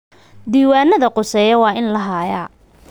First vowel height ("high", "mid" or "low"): high